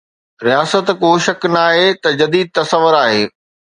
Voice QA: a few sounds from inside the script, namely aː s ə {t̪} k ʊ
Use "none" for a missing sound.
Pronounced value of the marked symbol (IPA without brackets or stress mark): t̪